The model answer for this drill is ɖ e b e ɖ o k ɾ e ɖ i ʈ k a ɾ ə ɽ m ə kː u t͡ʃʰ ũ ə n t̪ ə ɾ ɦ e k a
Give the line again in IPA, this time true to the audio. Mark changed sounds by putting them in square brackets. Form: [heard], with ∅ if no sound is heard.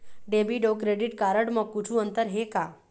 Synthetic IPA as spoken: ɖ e b [i] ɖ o k ɾ e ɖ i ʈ k a ɾ ə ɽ m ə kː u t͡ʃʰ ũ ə n t̪ ə ɾ ɦ e k a